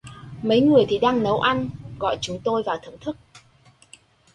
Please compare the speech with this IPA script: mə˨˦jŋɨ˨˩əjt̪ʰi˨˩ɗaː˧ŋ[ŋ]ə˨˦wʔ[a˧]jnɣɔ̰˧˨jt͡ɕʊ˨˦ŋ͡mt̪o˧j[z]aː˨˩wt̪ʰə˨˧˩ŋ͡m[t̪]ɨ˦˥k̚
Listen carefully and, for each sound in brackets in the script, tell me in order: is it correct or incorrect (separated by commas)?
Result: incorrect, correct, incorrect, incorrect